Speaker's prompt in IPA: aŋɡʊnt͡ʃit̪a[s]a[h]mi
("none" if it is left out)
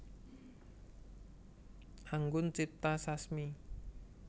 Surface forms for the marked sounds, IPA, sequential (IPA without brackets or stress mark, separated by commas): s, s